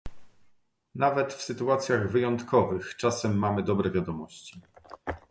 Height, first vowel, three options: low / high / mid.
low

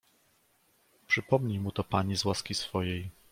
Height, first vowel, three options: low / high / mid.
mid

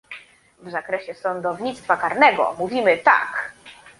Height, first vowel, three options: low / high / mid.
low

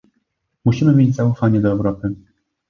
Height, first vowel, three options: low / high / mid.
high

